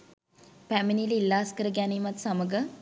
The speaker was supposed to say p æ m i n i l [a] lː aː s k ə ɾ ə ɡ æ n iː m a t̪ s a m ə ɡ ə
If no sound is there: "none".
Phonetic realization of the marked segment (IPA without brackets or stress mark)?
i